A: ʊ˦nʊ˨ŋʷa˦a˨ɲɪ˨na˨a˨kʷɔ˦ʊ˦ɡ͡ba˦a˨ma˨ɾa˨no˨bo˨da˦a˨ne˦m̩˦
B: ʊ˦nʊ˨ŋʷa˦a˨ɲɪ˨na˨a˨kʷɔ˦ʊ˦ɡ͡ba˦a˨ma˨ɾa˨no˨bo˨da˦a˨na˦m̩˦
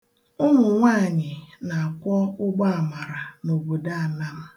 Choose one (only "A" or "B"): B